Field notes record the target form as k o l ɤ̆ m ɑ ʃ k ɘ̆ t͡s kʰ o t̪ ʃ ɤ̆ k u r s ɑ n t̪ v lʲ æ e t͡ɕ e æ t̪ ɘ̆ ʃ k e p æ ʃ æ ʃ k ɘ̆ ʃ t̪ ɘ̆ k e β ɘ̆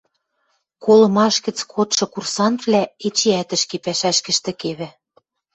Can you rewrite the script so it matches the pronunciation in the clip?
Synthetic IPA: k o l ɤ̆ m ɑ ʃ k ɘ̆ t͡s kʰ o t̪ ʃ ɤ̆ k u r s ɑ n t̪ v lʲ æ e t͡ɕ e æ t̪ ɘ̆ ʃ k e p æ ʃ æ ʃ k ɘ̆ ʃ t̪ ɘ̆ k e β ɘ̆